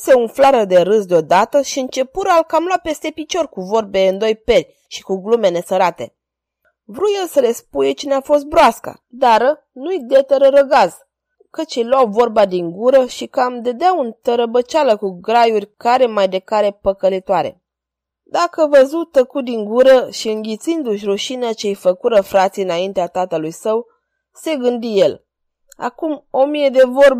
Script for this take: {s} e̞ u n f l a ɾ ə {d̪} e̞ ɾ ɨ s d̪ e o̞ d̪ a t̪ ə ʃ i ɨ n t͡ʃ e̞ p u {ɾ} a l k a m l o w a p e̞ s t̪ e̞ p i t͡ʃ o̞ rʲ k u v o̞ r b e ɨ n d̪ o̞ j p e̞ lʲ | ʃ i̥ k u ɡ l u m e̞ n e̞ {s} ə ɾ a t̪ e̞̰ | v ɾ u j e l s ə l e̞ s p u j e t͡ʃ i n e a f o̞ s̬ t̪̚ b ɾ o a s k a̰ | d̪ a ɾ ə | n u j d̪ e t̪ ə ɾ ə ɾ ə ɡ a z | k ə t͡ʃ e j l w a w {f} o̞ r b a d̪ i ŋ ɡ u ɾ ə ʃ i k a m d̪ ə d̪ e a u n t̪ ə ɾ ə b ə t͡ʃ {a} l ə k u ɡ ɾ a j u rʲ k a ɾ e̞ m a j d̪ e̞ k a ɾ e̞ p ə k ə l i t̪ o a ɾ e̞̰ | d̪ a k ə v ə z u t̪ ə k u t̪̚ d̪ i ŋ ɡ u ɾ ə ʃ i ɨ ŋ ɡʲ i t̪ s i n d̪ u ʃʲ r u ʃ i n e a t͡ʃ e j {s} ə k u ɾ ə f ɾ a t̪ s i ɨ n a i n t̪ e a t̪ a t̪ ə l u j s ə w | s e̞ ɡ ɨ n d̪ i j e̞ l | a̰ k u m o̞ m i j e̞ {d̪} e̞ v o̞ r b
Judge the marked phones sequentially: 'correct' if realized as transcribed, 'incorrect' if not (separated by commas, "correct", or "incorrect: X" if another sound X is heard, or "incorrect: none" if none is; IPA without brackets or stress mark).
correct, correct, correct, correct, incorrect: v, correct, incorrect: f, correct